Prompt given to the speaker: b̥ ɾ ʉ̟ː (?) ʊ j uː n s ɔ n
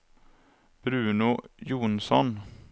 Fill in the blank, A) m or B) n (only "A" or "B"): B